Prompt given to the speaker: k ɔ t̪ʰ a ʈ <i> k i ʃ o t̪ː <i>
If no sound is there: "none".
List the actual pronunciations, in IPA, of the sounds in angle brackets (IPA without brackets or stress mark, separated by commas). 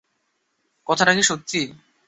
a, i